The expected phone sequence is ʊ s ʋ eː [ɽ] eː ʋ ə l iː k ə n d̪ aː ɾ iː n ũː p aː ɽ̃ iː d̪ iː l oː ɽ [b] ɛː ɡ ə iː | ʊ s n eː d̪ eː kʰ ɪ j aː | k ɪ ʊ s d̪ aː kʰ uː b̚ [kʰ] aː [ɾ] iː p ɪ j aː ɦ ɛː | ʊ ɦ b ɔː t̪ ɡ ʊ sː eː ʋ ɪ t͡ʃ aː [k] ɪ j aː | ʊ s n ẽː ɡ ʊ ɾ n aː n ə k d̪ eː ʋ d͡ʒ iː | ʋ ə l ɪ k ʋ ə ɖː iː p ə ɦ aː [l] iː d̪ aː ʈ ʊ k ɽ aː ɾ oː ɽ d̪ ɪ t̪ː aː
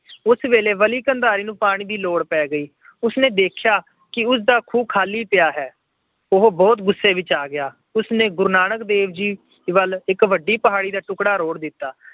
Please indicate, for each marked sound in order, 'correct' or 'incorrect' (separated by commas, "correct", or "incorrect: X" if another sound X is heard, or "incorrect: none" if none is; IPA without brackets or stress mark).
incorrect: l, incorrect: p, correct, incorrect: l, incorrect: ɡ, incorrect: ɽ